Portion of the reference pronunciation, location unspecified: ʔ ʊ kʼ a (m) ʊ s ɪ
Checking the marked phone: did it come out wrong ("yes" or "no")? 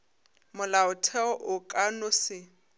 yes